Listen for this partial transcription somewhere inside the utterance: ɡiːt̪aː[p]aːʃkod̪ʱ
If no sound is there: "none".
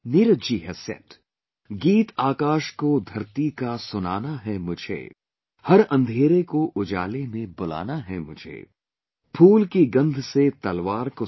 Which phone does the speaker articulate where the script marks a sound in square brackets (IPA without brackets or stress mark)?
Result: k